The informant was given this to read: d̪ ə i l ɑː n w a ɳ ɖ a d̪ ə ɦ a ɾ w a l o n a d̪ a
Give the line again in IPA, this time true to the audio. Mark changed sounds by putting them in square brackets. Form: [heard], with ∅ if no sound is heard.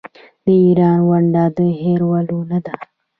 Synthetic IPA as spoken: d̪ ə i [ɾ] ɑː n w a ɳ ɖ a d̪ ə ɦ [e] ɾ w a l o n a d̪ a